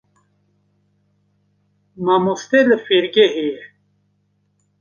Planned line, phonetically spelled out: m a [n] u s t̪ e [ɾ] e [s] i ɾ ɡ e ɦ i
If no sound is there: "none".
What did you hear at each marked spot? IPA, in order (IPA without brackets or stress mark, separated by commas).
m, l, f